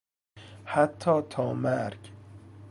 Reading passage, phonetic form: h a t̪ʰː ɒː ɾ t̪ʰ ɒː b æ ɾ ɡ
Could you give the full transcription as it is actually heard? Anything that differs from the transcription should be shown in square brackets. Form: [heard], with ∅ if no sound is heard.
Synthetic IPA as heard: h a t̪ʰː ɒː [∅] t̪ʰ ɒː [m] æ ɾ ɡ